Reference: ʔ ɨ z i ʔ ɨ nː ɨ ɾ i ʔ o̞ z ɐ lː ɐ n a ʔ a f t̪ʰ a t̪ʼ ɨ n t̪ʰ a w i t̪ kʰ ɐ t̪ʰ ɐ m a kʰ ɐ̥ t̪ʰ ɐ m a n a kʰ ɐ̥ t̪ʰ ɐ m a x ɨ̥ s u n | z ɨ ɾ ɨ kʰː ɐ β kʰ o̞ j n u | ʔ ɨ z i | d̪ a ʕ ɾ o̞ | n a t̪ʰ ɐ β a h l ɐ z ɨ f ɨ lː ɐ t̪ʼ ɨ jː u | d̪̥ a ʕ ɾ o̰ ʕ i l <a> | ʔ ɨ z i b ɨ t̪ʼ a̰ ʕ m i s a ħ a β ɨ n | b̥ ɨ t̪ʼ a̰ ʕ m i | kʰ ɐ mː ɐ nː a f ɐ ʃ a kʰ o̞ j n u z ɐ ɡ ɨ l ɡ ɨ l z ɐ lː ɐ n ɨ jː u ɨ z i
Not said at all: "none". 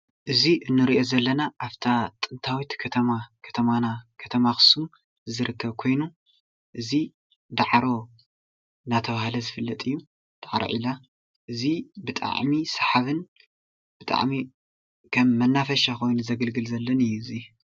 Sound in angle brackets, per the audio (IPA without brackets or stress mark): a